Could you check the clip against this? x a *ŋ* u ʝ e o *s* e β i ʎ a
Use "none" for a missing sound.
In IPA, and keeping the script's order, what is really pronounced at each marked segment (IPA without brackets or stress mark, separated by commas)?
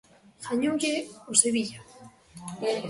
ɲ, s